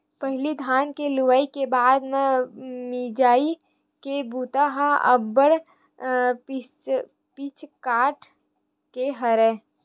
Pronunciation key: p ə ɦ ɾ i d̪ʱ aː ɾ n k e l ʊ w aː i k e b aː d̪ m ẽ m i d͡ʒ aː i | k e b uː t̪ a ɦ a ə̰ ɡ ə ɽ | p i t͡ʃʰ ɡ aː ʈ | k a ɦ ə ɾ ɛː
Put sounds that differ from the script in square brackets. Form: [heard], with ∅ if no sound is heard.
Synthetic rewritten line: p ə ɦ [l] i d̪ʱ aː [∅] n k e l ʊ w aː i k e b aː d̪ m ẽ m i d͡ʒ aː i | k e b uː t̪ a ɦ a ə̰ [b] ə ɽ | p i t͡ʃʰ [k] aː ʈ | k [e] ɦ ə ɾ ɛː